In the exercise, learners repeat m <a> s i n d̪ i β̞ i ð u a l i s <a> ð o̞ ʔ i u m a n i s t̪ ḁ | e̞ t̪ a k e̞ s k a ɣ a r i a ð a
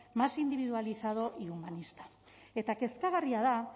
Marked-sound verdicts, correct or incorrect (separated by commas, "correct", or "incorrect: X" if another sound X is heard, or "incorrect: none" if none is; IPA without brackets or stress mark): correct, correct